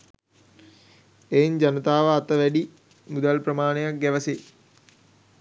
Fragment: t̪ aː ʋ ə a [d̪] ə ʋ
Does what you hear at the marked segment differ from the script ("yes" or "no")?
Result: yes